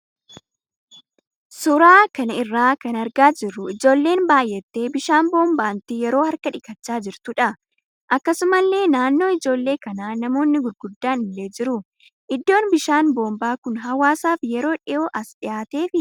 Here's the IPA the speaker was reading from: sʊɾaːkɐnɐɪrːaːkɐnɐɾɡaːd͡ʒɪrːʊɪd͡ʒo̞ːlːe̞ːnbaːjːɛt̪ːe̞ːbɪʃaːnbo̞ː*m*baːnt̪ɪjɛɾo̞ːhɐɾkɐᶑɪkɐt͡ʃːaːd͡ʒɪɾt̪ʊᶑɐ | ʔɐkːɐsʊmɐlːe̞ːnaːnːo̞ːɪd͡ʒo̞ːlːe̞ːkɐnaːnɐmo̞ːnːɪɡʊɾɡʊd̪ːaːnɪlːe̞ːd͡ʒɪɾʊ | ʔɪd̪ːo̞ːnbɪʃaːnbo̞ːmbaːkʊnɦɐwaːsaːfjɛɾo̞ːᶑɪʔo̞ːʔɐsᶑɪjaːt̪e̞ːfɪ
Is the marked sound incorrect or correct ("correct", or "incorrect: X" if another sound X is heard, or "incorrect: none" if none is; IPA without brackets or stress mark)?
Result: correct